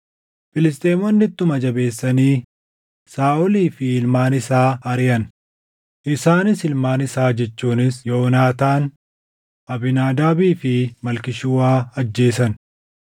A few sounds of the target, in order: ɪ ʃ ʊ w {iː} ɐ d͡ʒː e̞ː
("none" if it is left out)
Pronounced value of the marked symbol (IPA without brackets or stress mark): aː